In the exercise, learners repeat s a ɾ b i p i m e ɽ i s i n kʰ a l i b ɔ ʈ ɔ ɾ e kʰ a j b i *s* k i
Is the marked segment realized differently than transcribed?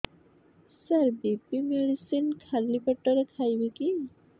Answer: yes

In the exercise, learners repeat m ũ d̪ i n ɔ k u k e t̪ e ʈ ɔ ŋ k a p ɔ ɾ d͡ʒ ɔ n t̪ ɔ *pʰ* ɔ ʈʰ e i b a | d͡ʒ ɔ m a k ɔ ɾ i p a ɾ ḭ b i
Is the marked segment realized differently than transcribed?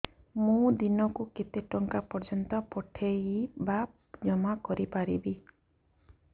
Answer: yes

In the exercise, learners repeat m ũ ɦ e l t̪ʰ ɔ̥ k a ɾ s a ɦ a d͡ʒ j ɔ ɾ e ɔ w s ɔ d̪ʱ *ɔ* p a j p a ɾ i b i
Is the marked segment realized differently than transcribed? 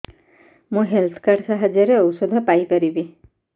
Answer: no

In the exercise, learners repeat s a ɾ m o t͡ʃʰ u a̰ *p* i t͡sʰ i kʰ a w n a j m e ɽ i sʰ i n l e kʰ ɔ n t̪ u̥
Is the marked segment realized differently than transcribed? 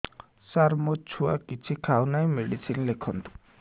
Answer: yes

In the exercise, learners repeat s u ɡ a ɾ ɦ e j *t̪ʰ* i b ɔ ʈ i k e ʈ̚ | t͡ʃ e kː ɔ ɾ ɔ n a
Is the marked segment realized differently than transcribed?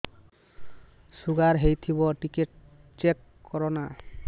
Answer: no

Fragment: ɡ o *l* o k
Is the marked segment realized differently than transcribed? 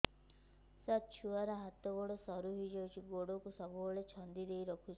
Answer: yes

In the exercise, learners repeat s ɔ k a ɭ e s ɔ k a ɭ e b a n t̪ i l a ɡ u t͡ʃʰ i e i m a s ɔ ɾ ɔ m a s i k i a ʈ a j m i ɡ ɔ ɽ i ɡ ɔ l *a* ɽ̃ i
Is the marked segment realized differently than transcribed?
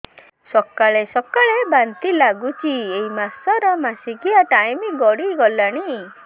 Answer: no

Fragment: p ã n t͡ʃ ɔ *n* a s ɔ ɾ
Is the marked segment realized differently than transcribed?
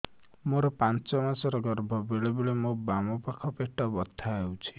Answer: yes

